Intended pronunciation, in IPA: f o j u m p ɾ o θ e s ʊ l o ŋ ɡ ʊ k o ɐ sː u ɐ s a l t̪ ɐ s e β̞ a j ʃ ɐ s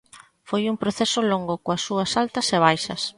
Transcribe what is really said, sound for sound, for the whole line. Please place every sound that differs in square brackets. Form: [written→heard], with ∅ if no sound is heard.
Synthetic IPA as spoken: f o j u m p ɾ o θ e s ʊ l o ŋ ɡ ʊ k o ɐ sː u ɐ s a l t̪ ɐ s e β̞ a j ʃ ɐ s